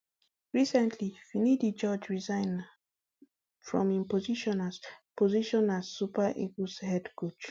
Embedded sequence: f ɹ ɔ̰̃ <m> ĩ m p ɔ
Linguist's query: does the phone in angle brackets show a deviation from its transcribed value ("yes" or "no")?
no